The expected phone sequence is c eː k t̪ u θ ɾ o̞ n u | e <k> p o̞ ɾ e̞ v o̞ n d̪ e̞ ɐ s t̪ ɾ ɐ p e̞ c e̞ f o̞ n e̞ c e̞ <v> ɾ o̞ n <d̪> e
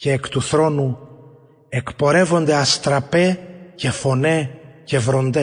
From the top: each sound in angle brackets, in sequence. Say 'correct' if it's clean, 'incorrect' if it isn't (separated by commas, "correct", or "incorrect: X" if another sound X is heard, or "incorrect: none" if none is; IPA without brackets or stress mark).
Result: correct, correct, correct